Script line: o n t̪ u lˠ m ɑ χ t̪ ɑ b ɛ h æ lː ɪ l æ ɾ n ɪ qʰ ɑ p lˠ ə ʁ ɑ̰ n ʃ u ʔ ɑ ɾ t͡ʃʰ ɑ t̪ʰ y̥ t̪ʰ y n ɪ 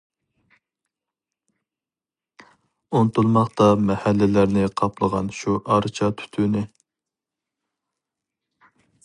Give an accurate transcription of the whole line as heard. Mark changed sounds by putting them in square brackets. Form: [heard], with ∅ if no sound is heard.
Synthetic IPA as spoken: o n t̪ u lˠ m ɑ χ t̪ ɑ [m] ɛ h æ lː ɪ l æ ɾ n ɪ qʰ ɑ p lˠ ə ʁ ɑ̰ n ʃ u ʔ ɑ ɾ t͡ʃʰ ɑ t̪ʰ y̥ t̪ʰ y n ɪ